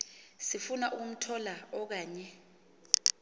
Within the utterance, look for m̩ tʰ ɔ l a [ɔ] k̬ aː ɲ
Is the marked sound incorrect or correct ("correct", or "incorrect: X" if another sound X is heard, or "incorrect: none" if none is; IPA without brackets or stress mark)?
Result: correct